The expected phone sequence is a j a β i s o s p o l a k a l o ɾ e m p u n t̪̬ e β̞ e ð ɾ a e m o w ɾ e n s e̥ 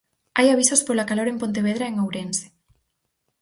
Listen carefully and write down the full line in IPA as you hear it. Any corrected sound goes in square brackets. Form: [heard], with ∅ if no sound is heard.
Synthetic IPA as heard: a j a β i s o s p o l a k a l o ɾ e m p [o] n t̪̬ e β̞ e ð ɾ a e [ŋ] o w ɾ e n s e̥